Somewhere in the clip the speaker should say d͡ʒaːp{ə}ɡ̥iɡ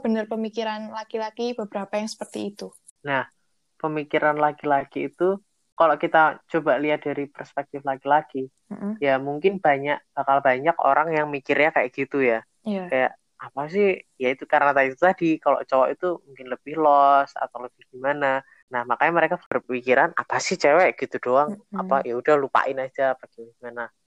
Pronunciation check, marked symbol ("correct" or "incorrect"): incorrect